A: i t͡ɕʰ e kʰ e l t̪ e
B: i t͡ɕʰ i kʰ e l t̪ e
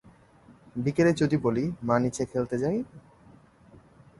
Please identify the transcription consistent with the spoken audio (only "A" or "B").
A